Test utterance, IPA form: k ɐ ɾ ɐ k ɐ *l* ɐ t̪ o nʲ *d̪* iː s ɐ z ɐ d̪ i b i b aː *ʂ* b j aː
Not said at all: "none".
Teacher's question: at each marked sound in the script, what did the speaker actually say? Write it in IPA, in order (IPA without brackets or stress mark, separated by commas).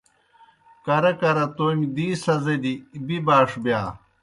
ɾ, d̪, ʂ